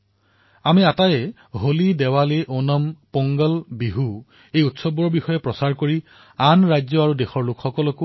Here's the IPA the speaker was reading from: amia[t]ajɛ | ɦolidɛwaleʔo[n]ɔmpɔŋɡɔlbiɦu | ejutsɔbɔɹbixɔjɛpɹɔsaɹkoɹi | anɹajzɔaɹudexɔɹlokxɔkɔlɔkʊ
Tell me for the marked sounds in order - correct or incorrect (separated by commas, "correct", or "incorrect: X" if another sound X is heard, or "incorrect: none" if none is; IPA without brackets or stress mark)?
correct, correct